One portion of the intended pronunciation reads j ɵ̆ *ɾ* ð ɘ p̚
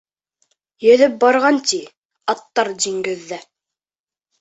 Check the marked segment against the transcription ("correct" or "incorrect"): incorrect